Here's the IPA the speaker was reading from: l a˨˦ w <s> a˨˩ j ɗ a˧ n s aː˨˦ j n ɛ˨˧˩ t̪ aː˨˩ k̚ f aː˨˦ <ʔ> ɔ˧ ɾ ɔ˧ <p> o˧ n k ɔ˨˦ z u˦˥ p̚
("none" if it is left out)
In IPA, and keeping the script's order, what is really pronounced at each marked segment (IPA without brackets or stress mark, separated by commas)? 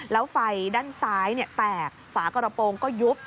f, k, p